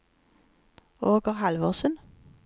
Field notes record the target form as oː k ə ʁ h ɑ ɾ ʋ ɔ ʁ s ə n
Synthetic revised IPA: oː ɡ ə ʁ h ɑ l ʋ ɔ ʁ s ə n